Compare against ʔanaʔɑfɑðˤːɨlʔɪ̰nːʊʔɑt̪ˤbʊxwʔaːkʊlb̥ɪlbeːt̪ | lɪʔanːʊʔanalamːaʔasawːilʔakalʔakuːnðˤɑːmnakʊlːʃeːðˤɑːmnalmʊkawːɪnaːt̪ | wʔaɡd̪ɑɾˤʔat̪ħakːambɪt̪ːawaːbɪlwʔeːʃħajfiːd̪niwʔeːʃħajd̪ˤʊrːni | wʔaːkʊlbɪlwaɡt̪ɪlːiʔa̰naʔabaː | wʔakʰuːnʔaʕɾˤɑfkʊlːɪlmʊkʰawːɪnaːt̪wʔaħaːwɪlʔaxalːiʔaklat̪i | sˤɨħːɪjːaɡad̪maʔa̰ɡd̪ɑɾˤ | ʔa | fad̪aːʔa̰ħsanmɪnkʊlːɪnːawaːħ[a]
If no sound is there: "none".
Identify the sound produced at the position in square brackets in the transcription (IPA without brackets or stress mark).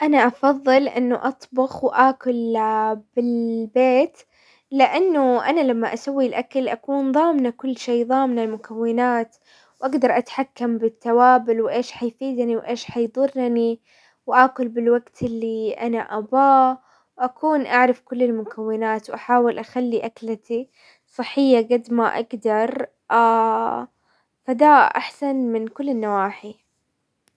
i